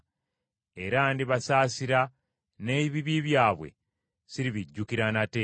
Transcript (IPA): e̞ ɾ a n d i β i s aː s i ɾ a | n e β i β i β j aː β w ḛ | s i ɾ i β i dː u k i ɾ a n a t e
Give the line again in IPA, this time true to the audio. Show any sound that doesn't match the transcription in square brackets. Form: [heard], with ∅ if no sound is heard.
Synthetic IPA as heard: e̞ ɾ a n d i β [a] s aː s i ɾ a | n e β i β i β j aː β w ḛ | s i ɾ i β i [ɟː] u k i ɾ a n a t e